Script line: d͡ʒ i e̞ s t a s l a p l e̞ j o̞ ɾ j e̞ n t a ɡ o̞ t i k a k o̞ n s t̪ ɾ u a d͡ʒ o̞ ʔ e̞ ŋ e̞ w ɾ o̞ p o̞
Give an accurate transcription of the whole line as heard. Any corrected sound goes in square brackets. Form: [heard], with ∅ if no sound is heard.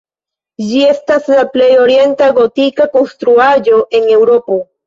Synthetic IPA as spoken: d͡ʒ i e̞ s t a s l a p l e̞ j o̞ ɾ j e̞ n t a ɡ o̞ t i k a k o̞ n s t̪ ɾ u a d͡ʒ o̞ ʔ e̞ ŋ e̞ w ɾ o̞ p o̞